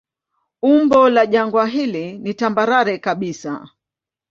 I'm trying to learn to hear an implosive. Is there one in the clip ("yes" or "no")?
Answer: yes